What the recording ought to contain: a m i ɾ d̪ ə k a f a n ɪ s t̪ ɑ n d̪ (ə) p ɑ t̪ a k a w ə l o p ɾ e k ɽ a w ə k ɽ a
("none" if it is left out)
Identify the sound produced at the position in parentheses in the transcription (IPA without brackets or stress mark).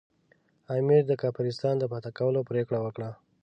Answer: ə